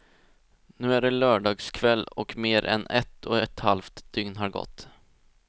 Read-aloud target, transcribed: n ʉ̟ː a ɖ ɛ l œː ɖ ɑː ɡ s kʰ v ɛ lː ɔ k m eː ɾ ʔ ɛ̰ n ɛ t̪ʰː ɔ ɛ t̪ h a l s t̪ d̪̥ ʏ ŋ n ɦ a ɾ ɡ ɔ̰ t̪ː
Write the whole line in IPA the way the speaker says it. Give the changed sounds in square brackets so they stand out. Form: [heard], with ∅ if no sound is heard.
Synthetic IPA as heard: n ʉ̟ː [æ] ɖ ɛ l œː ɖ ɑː ɡ s kʰ v ɛ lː ɔ k m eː ɾ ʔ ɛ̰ n ɛ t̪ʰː ɔ ɛ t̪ h a l [f] t̪ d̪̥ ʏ ŋ n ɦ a ɾ ɡ ɔ̰ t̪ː